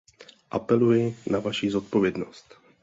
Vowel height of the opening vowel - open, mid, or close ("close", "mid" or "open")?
open